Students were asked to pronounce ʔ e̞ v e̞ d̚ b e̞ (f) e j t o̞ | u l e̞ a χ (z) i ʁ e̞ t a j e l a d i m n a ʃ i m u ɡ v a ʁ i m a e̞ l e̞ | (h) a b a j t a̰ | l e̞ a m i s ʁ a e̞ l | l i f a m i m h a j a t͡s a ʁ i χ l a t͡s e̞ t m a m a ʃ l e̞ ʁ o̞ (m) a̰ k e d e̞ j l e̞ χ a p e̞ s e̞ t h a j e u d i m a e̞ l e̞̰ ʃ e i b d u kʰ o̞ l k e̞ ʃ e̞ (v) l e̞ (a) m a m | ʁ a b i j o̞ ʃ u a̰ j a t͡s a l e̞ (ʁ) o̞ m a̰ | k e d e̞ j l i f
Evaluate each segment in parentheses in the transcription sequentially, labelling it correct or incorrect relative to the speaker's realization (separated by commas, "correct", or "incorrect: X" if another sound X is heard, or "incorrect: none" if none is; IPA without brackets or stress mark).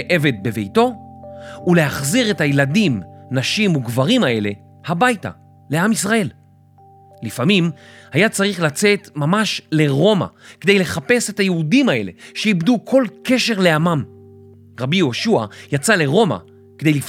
incorrect: v, correct, correct, correct, incorrect: ʁ, correct, correct